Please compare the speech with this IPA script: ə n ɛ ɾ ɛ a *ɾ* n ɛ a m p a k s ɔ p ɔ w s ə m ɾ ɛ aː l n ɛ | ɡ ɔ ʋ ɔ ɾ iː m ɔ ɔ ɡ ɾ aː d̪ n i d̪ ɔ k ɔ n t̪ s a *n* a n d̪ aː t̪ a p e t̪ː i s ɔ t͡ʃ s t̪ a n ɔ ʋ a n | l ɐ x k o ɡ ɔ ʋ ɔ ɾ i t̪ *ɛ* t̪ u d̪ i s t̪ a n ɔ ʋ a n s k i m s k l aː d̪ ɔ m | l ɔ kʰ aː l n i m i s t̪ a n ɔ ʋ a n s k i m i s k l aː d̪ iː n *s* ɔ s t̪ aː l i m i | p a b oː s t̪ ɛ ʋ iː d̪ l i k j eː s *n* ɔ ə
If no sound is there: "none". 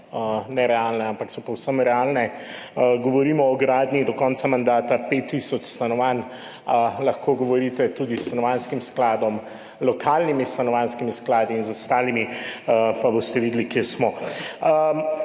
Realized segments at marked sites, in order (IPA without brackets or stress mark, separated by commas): l, m, ɛ, z, m